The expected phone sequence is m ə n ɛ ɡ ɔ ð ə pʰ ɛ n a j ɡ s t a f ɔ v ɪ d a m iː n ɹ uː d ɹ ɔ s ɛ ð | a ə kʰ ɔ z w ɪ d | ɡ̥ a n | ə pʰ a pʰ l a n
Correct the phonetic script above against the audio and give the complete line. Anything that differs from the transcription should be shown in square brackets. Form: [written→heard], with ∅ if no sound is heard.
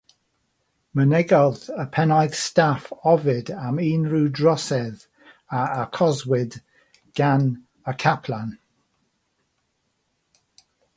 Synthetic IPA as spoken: m ə n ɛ ɡ ɔ ð ə pʰ ɛ n a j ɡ s t a f ɔ v ɪ d a m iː n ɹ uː d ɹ ɔ s ɛ ð | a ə kʰ ɔ z w ɪ d | ɡ̥ a n | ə [pʰ→kʰ] a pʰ l a n